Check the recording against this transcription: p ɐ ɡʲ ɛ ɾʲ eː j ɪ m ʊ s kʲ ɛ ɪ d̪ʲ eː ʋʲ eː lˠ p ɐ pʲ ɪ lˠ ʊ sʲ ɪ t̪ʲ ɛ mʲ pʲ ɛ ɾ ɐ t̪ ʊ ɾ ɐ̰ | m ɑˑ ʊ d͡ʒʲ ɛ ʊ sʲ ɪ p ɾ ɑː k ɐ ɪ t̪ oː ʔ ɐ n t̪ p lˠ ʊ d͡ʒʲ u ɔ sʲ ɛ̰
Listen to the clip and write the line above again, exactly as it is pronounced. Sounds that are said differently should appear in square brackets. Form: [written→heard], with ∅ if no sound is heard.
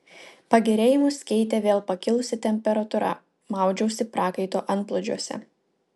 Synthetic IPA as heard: p ɐ ɡʲ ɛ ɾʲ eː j ɪ m ʊ s kʲ ɛ ɪ [d̪ʲ→t̪ʲ] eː ʋʲ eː lˠ p ɐ [pʲ→kʲ] ɪ lˠ ʊ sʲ ɪ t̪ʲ ɛ mʲ pʲ ɛ ɾ ɐ t̪ ʊ ɾ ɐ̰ | m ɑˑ ʊ d͡ʒʲ ɛ ʊ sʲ ɪ p ɾ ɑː k ɐ ɪ t̪ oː ʔ ɐ n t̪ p lˠ ʊ d͡ʒʲ u ɔ sʲ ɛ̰